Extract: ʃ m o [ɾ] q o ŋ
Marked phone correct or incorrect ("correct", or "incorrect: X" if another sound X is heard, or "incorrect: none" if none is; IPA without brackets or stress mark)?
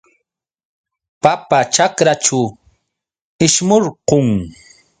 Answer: correct